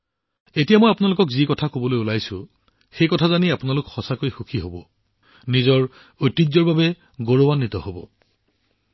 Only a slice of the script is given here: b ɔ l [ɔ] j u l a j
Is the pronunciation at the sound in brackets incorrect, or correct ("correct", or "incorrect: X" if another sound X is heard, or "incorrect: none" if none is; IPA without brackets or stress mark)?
incorrect: o